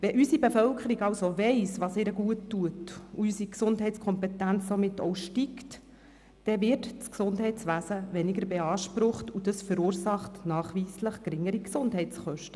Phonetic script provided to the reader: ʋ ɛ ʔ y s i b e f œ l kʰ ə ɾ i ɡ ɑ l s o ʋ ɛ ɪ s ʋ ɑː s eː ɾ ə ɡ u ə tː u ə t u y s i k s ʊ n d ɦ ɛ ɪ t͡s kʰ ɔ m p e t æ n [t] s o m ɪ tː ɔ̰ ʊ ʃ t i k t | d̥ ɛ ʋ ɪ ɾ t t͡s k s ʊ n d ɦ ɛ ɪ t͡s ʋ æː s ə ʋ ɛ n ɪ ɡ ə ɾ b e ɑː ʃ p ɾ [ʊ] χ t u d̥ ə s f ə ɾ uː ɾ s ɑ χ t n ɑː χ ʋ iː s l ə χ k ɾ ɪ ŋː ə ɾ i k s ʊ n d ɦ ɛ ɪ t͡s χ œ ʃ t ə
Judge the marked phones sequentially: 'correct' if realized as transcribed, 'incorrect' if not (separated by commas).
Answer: incorrect, correct